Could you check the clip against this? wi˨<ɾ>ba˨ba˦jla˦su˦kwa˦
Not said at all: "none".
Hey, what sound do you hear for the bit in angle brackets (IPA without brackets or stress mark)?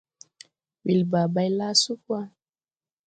l